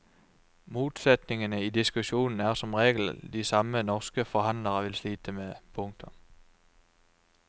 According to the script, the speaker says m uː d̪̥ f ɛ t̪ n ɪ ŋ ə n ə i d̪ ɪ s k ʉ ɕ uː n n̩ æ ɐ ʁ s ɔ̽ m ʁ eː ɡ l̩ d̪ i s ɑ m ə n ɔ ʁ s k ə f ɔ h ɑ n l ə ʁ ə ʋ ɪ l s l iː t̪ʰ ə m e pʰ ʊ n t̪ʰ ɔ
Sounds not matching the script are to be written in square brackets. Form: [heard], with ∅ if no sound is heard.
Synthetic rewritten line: m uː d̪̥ [s] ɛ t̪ n ɪ ŋ ə n ə i d̪ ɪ s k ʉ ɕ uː n n̩ æ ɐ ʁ s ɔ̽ m ʁ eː ɡ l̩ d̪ i s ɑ m ə n ɔ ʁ s k ə f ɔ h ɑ n l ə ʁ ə ʋ ɪ l s l iː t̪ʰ ə m e pʰ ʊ [ŋ] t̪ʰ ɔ